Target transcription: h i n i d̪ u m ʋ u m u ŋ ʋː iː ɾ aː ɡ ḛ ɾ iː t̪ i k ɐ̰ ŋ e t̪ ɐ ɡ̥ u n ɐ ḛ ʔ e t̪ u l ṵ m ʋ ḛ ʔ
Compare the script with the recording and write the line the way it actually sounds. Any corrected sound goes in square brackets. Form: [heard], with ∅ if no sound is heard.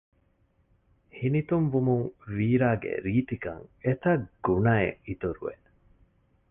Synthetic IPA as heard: h i n i [t̪] u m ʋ u m u ŋ [ʋ] iː ɾ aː ɡ ḛ ɾ iː t̪ i k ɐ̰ ŋ e t̪ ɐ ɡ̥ u n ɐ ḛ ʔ [i] t̪ u [ɾ] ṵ [∅] ʋ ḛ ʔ